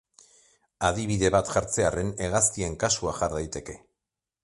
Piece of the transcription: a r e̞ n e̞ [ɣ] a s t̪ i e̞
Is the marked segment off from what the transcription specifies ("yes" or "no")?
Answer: no